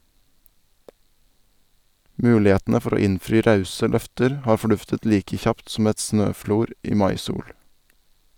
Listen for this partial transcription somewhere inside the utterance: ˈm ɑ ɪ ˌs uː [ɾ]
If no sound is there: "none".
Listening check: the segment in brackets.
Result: ɽ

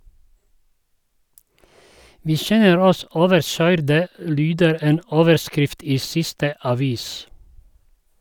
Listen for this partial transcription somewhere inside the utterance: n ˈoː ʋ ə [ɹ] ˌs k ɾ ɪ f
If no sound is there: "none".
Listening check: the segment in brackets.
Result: ɾ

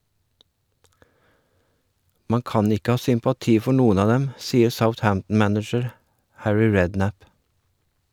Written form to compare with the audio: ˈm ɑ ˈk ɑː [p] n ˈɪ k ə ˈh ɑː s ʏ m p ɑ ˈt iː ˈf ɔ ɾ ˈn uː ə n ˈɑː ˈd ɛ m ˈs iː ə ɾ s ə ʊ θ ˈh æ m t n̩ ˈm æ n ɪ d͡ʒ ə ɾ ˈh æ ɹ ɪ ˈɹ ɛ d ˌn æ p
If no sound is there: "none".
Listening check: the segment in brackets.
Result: none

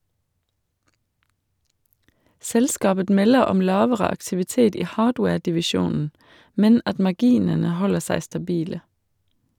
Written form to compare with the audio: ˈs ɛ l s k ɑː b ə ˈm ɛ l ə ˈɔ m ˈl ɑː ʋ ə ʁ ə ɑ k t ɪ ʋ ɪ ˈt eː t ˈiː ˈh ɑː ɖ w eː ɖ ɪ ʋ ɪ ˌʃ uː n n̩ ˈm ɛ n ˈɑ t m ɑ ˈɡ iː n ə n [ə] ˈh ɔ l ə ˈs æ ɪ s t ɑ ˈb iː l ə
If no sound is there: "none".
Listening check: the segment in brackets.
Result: ə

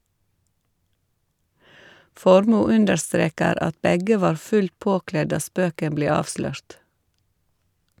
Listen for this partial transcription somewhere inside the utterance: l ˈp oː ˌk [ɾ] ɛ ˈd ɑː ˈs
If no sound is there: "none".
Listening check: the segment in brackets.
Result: l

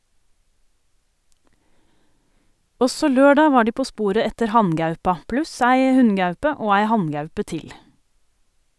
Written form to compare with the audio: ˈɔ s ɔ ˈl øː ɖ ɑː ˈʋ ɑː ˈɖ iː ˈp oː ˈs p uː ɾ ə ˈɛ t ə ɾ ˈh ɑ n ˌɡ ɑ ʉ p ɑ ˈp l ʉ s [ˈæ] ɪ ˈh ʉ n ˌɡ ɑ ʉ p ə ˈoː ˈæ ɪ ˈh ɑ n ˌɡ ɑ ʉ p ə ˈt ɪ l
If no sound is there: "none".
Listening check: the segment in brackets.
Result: æ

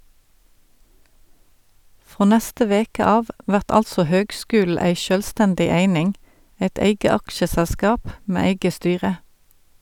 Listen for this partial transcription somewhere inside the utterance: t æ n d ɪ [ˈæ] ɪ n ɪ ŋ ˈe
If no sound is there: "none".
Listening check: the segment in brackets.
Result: e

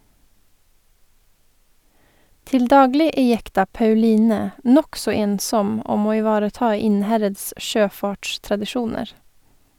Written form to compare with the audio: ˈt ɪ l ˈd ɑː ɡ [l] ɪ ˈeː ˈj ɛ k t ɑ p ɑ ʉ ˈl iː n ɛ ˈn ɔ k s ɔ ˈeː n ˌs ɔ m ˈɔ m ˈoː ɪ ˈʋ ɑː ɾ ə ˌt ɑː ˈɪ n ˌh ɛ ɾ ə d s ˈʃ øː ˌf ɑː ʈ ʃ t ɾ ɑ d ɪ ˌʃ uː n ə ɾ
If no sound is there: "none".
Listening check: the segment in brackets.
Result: l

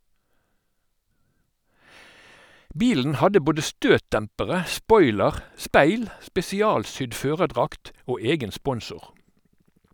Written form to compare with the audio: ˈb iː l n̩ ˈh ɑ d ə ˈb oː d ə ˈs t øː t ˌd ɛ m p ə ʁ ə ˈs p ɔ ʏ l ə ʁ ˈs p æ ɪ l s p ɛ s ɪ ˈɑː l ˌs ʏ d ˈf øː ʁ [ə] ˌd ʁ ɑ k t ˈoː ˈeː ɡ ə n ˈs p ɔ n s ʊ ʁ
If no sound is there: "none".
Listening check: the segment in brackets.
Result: ə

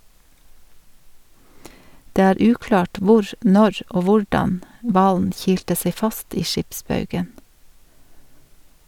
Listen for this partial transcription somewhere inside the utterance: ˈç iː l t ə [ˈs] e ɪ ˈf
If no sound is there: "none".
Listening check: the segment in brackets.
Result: s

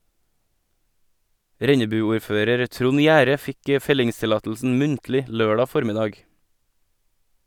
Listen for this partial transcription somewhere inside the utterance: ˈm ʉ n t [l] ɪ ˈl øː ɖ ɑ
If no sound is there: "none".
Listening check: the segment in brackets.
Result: l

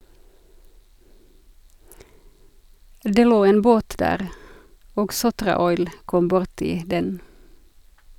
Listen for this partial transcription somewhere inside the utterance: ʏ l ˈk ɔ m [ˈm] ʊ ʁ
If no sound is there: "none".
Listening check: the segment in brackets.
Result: b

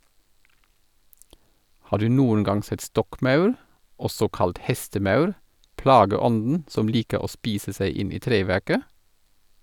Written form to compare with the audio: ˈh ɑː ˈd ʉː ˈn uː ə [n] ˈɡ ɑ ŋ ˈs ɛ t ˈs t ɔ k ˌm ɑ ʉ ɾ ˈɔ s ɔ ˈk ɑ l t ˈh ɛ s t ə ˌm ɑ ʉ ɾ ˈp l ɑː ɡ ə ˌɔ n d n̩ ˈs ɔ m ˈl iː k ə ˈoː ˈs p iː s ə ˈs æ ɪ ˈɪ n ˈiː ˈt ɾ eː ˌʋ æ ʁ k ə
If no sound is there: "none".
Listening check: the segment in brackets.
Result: n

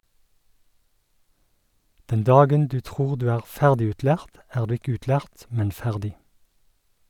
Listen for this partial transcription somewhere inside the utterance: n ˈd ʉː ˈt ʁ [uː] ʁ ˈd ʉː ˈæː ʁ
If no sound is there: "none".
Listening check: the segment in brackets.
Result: uː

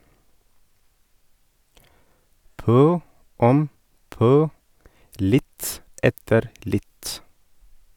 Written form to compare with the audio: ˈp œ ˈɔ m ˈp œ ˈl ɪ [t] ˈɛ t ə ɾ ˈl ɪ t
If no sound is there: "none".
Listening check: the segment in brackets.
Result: t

